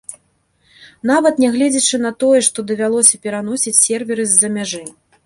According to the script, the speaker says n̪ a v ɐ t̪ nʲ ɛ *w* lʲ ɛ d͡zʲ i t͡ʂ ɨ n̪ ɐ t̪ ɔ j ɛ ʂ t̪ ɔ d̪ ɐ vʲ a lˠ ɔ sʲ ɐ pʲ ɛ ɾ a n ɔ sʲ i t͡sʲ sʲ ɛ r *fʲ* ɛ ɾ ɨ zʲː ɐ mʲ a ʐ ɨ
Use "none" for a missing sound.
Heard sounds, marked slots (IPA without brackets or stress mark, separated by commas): ɣ, vʲ